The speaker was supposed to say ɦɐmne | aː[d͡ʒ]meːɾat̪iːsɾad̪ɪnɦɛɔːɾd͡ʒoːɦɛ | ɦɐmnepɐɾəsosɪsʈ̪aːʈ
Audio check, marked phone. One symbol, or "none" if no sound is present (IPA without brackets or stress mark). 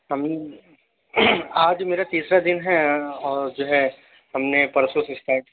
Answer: d͡ʒ